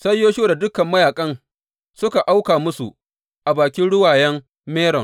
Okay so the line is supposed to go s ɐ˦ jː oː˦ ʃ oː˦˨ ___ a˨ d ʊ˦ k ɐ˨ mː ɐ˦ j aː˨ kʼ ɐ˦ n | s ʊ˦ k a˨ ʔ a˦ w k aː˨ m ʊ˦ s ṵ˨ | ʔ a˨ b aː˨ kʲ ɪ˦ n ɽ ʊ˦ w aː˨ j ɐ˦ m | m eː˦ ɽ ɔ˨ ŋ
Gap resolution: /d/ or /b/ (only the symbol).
d